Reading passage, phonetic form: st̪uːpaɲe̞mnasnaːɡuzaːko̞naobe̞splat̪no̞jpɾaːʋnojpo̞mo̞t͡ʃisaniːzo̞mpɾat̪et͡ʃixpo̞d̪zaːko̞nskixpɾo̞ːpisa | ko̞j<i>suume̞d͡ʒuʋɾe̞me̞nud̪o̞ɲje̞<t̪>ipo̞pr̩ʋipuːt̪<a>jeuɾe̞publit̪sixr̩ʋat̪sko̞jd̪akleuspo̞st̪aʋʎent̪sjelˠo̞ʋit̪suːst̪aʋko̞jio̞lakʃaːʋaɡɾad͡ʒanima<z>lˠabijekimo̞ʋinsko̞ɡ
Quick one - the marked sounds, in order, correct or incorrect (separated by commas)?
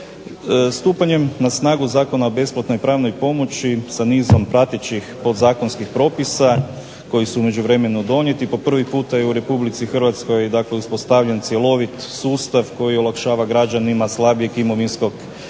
correct, correct, correct, incorrect